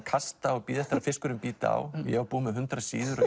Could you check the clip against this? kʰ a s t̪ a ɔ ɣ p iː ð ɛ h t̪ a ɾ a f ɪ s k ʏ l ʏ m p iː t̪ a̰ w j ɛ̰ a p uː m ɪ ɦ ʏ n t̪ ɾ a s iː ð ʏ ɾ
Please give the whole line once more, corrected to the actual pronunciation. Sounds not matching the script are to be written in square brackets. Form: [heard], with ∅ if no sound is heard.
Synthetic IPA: kʰ a s t̪ a ɔ ɣ p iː ð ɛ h t̪ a ɾ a f ɪ s k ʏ [ɾ] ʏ m p iː t̪ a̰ w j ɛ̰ a p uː m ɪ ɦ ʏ n t̪ ɾ a s iː ð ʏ ɾ

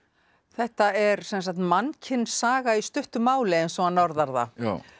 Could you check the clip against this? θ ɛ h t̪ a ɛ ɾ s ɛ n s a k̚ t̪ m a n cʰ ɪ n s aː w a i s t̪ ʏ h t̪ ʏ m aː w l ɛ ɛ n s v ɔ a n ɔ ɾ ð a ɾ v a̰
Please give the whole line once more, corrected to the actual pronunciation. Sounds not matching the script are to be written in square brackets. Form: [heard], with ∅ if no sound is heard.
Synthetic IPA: θ ɛ h t̪ a ɛ ɾ s ɛ n s a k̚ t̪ m a n cʰ ɪ n s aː [ɣ] a i s t̪ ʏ h t̪ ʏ m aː w l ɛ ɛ n s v ɔ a n ɔ ɾ ð a ɾ [ð] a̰

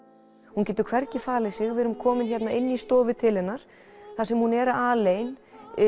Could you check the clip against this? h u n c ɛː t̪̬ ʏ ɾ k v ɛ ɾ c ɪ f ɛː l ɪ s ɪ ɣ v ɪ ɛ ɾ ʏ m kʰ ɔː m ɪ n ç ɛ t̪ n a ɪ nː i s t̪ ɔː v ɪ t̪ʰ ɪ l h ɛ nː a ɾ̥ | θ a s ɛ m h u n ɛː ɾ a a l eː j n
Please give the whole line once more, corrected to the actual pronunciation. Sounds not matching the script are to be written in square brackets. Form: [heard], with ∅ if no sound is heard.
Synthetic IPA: h u n c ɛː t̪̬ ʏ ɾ [kʰ] v ɛ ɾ c ɪ f [aː] l ɪ s ɪ ɣ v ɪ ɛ ɾ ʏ m kʰ ɔː m ɪ n ç ɛ t̪ n a ɪ nː i s t̪ ɔː v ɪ t̪ʰ ɪ l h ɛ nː a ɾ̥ | θ a s ɛ m h u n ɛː ɾ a a l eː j n

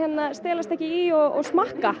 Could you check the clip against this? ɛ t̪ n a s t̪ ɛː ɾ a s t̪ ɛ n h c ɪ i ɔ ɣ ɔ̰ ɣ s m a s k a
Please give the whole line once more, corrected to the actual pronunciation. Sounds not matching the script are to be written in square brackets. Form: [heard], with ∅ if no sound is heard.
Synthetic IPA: ɛ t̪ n a s t̪ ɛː [l] a s t̪ ɛ [∅] h c ɪ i ɔ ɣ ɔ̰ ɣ s m a [h] k a

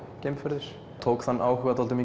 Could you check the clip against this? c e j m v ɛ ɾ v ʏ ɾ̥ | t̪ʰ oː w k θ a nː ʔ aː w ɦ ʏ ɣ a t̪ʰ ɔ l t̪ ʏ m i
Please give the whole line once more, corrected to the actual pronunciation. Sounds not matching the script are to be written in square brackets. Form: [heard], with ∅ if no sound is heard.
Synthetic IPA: c e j m [f] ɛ ɾ [ð] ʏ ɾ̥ | t̪ʰ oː w k θ a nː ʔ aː w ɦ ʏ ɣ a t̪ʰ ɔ l t̪ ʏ m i

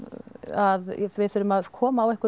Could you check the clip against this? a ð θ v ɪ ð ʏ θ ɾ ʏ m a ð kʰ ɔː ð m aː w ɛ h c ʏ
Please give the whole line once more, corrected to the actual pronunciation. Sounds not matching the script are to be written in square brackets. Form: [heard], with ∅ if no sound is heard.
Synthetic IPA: a ð θ v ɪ [θ] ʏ [∅] ɾ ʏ m a ð kʰ ɔː [∅] m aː w ɛ h [k] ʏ

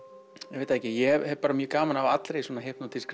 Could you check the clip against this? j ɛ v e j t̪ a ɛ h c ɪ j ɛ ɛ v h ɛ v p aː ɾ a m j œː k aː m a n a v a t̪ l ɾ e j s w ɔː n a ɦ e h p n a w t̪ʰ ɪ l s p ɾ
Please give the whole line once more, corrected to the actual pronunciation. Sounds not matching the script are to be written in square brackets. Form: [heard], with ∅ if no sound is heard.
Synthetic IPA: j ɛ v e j t̪ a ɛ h c ɪ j ɛ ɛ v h ɛ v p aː ɾ a m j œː k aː m a n a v a t̪ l ɾ e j s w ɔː n a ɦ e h p n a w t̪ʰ ɪ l s [k] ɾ

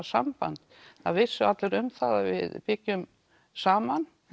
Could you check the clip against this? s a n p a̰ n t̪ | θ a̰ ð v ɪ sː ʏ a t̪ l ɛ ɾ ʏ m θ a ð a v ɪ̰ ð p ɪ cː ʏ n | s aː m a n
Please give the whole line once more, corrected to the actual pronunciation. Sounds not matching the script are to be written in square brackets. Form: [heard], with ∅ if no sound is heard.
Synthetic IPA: s a [m] p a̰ n t̪ | θ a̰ ð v ɪ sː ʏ a t̪ l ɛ ɾ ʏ m θ a ð a v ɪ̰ ð p ɪ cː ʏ [m] | s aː m a n

